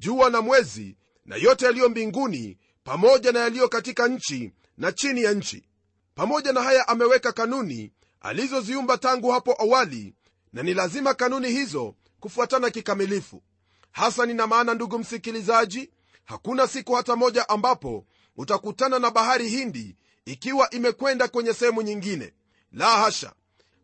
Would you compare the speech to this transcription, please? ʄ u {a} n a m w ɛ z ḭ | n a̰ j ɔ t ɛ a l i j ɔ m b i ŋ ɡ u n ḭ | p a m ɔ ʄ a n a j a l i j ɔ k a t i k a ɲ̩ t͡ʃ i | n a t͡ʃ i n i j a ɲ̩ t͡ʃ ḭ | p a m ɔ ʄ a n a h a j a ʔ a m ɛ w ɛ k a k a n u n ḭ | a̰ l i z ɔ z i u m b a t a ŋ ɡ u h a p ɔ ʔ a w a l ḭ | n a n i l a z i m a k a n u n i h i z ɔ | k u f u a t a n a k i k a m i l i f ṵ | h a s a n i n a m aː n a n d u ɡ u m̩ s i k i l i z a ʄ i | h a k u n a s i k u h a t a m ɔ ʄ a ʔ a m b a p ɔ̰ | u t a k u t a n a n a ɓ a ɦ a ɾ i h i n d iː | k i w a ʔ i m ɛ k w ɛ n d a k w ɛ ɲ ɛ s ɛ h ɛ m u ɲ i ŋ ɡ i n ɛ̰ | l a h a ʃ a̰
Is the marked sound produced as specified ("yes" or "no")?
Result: yes